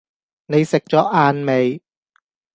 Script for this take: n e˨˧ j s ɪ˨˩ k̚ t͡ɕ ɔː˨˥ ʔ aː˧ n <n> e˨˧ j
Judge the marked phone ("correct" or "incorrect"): incorrect